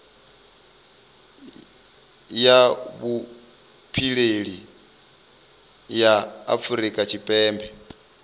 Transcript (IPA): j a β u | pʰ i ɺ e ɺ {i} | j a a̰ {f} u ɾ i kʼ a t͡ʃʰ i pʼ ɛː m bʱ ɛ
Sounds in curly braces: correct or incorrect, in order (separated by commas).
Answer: correct, correct